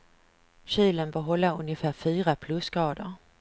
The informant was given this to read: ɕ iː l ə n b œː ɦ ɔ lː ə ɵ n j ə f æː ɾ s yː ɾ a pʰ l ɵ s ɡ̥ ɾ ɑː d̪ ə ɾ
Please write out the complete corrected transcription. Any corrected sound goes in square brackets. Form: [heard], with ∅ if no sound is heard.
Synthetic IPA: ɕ iː l ə n b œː ɦ ɔ lː [a] ɵ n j ə f æː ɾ [f] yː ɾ a pʰ l ɵ s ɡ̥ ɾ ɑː d̪ ə ɾ